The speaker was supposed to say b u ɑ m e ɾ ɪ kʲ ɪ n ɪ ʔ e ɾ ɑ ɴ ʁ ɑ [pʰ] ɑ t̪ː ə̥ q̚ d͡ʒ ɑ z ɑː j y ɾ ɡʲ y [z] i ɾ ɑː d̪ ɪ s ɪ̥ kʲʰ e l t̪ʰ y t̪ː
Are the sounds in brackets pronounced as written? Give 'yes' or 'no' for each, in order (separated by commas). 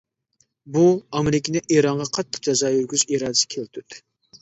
no, yes